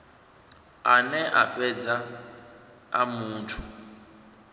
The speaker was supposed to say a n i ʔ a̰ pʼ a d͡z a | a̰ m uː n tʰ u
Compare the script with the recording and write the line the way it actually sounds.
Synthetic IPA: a n ɛ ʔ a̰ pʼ ɛ d͡z a | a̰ m uː n tʰ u